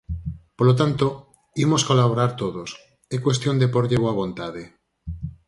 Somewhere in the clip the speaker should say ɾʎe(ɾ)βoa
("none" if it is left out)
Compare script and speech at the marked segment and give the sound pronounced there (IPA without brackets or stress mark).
none